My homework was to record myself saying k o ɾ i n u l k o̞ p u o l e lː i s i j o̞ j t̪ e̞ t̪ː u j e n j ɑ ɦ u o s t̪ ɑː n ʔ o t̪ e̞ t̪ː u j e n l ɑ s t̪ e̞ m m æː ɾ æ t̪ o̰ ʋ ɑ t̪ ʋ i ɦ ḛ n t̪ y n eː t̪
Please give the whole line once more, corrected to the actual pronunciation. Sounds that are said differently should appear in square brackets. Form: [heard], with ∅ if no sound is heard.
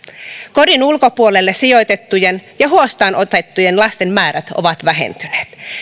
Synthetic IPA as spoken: k o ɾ i n u l k o̞ p u o l e lː [e] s i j o̞ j t̪ e̞ t̪ː u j e n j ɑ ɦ u o s t̪ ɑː n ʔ o t̪ e̞ t̪ː u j e n l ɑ s t̪ e̞ m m æː ɾ æ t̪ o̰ ʋ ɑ t̪ ʋ [æ] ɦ ḛ n t̪ y n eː t̪